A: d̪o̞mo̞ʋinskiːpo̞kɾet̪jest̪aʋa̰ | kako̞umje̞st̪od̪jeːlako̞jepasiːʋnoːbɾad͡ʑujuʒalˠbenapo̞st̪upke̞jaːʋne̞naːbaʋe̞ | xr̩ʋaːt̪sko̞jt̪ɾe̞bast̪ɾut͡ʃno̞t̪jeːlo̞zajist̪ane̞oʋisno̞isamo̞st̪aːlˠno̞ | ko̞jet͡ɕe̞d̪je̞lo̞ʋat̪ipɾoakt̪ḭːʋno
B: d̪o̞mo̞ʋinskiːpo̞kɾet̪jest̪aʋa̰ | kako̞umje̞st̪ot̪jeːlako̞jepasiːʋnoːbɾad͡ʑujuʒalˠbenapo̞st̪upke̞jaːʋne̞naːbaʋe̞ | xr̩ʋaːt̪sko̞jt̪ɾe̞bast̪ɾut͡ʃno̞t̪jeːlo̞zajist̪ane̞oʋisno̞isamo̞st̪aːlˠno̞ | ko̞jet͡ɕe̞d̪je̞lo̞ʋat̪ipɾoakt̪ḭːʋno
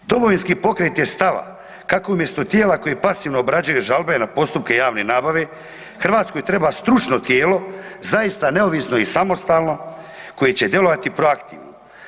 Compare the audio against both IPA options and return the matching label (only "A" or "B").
B